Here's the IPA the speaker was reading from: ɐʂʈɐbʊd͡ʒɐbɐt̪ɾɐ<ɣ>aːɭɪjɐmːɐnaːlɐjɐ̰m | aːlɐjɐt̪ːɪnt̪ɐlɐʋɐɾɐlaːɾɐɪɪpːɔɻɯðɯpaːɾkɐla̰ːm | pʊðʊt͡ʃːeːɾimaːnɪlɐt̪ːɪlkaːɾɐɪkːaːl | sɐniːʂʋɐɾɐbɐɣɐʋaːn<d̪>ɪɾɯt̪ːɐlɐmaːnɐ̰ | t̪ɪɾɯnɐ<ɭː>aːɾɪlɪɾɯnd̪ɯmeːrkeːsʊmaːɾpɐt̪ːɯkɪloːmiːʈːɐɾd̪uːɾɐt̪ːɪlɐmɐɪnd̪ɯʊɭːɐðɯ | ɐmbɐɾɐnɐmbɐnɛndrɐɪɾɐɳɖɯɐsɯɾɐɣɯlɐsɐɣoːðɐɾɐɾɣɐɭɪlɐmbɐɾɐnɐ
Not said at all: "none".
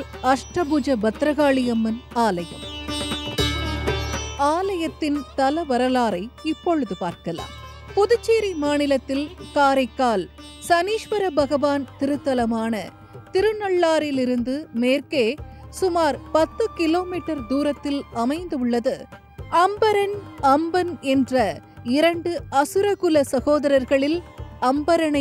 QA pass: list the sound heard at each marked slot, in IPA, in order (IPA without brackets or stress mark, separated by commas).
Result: ɣ, t̪, ɭː